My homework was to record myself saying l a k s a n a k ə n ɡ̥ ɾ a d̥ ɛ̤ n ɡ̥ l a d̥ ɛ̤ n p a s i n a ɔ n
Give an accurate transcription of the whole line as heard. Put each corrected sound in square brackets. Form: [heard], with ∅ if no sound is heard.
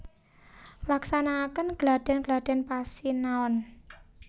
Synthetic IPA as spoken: l a k s a n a k ə n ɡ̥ [l] a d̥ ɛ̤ n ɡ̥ l a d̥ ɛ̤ n p a s i n a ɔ n